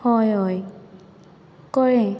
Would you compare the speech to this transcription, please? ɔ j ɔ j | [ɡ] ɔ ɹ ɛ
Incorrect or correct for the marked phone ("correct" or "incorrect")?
incorrect